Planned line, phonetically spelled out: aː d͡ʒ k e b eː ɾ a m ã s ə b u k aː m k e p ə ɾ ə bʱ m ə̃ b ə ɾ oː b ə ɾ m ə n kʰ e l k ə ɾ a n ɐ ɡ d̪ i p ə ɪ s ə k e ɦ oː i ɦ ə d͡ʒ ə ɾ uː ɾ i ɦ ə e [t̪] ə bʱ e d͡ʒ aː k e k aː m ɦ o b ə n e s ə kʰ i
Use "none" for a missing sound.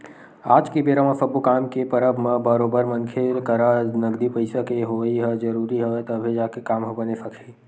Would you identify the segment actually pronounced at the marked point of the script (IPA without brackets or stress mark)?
t̪